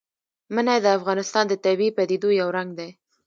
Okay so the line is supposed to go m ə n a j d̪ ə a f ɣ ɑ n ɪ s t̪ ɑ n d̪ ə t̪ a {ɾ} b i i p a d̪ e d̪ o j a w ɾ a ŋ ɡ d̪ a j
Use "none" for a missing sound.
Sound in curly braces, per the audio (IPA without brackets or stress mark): none